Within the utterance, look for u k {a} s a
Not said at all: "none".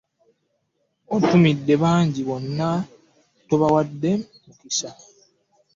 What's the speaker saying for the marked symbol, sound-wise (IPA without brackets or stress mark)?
i